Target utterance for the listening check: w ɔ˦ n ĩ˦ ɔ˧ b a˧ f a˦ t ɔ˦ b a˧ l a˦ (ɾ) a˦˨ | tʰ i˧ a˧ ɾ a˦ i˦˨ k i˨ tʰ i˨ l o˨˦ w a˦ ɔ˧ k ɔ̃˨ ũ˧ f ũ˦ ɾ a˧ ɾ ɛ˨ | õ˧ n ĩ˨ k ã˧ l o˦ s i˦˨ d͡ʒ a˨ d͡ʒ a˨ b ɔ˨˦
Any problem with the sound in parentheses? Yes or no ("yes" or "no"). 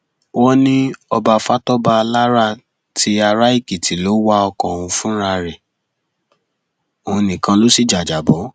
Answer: no